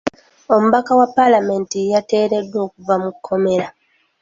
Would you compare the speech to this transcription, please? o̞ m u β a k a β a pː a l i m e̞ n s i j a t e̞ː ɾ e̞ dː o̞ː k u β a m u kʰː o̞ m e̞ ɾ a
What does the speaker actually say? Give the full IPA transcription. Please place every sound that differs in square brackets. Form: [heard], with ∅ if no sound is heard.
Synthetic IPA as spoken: o̞ m u β a k a [w] a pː a l [a] m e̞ n [t] i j a t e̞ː ɾ e̞ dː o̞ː k u [v] a m u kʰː o̞ m e̞ ɾ a